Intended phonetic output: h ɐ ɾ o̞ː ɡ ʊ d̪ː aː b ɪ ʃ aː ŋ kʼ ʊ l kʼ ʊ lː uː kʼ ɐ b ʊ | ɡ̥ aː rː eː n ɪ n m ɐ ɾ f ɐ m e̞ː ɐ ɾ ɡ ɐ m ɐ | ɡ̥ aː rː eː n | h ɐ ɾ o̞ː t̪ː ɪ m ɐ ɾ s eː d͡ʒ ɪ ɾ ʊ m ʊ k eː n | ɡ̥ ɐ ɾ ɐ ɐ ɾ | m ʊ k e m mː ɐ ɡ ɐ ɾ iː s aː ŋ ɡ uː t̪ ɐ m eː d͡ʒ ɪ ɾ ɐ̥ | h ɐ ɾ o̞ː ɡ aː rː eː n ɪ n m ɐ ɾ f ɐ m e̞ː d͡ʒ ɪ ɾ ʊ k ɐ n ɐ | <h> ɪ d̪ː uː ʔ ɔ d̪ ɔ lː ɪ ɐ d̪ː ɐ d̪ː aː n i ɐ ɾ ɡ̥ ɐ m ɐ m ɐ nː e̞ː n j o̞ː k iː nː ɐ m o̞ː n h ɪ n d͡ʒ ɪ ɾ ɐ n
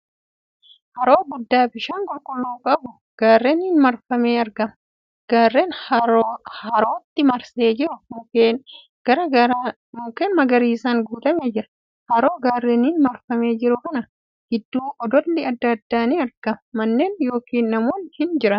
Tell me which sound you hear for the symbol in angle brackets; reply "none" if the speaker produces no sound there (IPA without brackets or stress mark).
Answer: h